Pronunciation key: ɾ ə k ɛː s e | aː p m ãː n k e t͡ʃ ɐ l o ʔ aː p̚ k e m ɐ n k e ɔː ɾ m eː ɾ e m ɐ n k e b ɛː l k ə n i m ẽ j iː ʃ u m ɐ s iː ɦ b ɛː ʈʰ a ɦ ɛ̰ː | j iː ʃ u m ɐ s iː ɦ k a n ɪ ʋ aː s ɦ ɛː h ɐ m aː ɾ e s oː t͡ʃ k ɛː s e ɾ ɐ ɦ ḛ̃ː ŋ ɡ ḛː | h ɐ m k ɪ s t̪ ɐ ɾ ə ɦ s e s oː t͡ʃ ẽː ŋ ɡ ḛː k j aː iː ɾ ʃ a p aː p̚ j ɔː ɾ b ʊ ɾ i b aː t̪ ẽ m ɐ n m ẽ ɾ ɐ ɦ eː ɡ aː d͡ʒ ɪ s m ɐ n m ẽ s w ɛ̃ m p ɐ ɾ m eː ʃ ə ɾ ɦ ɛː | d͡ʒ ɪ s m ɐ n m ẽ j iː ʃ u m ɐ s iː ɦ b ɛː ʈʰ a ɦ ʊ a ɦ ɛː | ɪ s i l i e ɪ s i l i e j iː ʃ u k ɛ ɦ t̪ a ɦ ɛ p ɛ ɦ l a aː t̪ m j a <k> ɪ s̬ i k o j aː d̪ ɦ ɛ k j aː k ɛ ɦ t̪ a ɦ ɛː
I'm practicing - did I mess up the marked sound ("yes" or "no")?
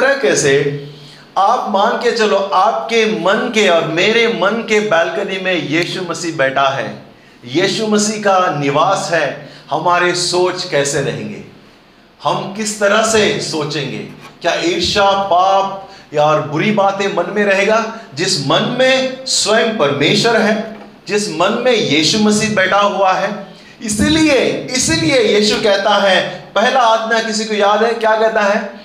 no